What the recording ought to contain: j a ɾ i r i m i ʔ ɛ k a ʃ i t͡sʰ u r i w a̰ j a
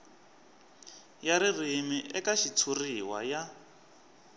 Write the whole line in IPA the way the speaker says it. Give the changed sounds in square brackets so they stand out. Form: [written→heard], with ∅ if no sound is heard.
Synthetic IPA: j a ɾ i r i m i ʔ ɛ k a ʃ i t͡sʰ u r i w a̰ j a